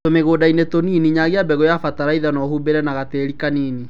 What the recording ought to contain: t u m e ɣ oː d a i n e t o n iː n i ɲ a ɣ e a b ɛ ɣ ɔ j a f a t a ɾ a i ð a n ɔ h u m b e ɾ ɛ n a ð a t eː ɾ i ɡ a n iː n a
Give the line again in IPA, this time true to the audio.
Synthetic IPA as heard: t o m e ɣ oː d a i n e t o n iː n i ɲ a ɣ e a b ɛ ɣ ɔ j a f a t a ɾ a i ð a n ɔ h u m b e ɾ ɛ n a ɣ a t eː ɾ i k a n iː n i